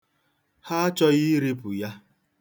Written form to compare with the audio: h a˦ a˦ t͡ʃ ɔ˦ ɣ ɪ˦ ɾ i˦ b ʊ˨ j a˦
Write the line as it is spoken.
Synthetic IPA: h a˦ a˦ t͡ʃ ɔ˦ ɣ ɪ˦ ɾ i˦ p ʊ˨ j a˦